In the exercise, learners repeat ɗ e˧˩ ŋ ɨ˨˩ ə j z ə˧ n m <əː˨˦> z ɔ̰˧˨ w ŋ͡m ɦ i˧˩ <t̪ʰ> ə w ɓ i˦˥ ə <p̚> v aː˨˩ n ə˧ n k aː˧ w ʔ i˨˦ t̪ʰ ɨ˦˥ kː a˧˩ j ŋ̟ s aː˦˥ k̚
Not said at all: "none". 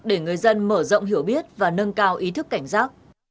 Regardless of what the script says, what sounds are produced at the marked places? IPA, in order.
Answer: əː˧˩, none, t̚

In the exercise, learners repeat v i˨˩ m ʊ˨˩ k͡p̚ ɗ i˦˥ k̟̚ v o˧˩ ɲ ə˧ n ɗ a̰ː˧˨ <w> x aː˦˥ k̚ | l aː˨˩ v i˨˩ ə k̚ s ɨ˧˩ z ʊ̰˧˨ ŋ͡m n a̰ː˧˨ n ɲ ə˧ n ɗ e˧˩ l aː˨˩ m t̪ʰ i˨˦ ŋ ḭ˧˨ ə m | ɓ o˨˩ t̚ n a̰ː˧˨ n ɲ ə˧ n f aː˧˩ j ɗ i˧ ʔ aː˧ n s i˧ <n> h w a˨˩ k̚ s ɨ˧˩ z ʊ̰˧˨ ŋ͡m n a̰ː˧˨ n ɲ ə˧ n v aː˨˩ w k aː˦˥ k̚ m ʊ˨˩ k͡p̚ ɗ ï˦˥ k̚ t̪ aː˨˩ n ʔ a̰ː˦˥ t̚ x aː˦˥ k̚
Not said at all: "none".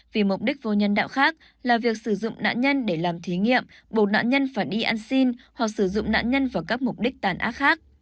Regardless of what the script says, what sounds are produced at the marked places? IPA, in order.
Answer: w, n

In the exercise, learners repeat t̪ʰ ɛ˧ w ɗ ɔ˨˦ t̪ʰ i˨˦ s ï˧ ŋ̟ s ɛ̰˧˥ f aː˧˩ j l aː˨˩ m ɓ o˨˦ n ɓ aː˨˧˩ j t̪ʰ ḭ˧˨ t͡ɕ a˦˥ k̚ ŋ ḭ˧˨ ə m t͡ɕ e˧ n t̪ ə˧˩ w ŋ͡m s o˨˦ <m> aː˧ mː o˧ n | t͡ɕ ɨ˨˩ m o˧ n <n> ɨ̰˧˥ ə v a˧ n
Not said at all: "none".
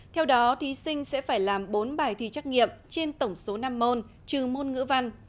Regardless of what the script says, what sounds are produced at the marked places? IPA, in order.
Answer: n, ŋ

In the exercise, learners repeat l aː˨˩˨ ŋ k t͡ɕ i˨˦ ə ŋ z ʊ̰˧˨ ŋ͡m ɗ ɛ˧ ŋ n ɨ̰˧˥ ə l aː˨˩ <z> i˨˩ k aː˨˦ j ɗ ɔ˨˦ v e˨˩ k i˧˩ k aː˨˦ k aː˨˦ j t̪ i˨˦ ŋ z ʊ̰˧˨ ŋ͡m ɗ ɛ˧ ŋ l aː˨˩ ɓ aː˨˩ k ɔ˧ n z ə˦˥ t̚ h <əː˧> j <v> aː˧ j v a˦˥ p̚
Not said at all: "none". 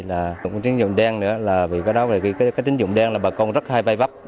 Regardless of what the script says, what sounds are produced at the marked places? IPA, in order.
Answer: v, aː˧, v

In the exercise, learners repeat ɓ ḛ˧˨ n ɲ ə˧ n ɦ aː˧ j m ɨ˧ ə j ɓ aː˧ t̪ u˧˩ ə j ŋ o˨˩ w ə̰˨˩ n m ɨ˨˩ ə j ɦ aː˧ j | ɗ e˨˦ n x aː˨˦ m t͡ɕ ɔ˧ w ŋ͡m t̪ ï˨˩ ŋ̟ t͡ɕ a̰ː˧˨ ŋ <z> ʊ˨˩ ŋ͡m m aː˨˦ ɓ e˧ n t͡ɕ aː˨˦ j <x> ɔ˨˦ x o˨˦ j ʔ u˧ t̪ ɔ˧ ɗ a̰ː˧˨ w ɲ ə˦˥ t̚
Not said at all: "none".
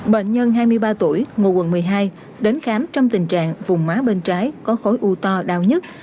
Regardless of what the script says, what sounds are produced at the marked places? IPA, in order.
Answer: v, k

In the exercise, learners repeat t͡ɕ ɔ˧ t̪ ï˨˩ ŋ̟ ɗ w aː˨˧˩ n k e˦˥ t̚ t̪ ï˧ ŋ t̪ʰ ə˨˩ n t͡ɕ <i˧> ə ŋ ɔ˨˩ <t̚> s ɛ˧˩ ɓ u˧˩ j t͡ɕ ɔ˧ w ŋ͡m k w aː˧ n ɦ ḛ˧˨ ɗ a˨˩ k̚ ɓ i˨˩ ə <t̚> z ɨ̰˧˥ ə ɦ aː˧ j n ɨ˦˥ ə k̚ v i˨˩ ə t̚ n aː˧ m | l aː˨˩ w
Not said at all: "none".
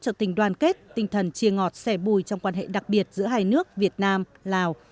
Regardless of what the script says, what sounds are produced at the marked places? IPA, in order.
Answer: i˧, t̚, t̚

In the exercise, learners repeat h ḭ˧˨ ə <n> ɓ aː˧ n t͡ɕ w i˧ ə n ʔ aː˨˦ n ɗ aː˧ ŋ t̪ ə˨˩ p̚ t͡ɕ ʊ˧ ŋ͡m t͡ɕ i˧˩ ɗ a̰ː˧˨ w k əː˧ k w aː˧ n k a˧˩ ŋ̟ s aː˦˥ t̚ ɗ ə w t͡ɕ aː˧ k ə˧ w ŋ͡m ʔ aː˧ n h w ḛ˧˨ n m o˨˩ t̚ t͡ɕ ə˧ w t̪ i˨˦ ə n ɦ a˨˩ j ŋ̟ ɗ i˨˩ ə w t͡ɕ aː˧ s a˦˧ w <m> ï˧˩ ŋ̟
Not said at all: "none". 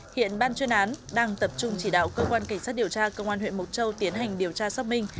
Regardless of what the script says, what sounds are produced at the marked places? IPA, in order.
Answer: n, m

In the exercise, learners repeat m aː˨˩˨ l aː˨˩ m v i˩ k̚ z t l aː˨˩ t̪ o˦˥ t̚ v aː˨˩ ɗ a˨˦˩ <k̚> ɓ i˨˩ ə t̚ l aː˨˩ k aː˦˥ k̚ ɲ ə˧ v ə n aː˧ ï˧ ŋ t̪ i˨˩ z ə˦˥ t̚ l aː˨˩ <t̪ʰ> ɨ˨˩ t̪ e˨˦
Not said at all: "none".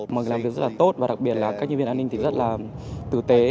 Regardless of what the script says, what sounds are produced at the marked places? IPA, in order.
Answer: k̚, t̪

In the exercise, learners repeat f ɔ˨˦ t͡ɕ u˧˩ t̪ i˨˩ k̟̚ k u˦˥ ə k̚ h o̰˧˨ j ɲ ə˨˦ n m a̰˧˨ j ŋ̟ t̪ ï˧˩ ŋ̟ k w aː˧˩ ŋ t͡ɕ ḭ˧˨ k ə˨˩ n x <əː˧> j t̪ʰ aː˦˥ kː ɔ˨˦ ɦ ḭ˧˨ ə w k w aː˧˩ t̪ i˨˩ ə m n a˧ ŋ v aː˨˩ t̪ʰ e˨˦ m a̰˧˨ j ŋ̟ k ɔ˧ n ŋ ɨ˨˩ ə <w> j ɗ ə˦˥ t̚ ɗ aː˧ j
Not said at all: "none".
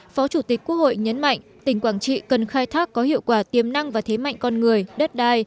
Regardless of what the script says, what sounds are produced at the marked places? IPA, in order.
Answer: aː˧, none

